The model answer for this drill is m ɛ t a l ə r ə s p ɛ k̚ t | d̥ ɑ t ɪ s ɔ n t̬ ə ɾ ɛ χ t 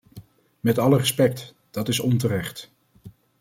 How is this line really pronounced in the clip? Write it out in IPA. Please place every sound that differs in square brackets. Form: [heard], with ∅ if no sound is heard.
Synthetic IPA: m ɛ t [ɑ] l ə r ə s p ɛ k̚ t | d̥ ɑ t ɪ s ɔ n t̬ ə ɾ ɛ χ t